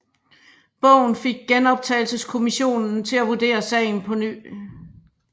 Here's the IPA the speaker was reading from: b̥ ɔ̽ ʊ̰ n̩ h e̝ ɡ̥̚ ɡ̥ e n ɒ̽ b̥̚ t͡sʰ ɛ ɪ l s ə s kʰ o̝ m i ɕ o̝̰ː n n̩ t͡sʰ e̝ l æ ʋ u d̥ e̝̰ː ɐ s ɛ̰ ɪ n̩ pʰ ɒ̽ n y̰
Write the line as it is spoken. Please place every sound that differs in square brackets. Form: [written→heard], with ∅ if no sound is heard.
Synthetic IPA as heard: b̥ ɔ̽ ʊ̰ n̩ [h→f] e̝ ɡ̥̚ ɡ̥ e n ɒ̽ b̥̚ t͡sʰ ɛ ɪ l s ə s kʰ o̝ m i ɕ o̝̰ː n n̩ t͡sʰ e̝ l æ ʋ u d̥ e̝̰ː ɐ s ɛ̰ ɪ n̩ pʰ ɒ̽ n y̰